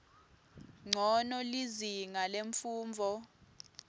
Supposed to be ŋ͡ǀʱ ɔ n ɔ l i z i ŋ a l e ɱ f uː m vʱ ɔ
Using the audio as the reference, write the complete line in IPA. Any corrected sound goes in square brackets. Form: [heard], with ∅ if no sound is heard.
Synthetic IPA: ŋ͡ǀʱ ɔ n ɔ l i z i ŋ a l e ɱ f uː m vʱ ɔ